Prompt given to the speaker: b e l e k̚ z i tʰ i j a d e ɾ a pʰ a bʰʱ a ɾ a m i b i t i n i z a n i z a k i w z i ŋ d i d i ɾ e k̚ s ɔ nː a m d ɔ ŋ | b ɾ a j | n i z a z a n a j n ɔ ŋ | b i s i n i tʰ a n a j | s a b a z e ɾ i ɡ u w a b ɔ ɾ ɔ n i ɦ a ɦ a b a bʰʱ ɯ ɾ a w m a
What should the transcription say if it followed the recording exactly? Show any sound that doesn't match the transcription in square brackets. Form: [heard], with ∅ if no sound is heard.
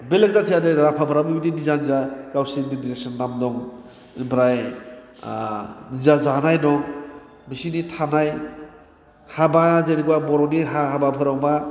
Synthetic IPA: b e l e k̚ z [a] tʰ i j a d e ɾ a pʰ a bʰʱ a ɾ a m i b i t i n i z a n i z a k [a] w [s] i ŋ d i d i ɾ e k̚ s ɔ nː a m d ɔ ŋ | b ɾ a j | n i z a z a n a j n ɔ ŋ | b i s i n i tʰ a n a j | [h] a b a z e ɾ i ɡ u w a b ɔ ɾ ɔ n i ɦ a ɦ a b a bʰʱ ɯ ɾ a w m a